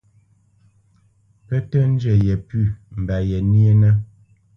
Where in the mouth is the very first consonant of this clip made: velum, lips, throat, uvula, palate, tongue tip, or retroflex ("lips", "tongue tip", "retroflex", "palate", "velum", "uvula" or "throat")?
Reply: lips